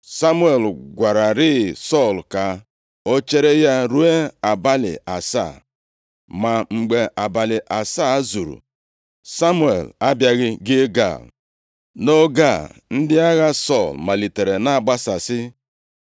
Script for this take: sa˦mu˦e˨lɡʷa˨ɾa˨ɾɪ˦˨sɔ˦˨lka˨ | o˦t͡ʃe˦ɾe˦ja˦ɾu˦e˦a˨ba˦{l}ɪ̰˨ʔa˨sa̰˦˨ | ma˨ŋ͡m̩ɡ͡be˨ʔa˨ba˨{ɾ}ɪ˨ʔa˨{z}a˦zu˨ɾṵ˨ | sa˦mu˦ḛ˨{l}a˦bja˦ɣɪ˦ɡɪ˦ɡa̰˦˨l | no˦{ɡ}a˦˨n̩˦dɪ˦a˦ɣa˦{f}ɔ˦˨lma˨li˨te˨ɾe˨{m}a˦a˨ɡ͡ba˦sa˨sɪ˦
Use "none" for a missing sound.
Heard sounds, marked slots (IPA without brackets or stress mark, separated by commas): l, l, s, l, ɡ, s, n